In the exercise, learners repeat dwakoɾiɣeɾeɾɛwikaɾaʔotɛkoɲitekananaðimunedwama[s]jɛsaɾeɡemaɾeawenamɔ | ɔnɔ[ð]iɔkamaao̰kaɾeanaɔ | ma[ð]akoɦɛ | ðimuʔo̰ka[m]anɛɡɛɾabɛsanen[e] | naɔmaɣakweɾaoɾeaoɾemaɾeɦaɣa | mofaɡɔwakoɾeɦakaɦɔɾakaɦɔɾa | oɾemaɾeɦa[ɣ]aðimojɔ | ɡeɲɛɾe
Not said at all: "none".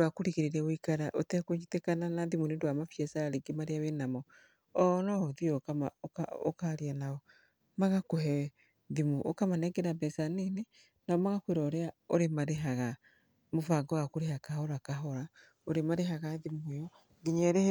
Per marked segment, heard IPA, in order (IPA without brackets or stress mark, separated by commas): f, ð, ɣ, m, e, ɣ